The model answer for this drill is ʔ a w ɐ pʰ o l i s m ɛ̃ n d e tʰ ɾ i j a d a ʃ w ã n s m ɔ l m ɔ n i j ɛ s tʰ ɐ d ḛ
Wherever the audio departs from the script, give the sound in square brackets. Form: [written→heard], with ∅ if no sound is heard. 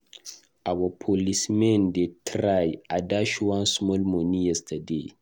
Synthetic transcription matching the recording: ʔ a w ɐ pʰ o l i s m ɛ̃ n d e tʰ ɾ [i→a] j a d a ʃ w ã n s m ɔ l m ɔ n i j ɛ s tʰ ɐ d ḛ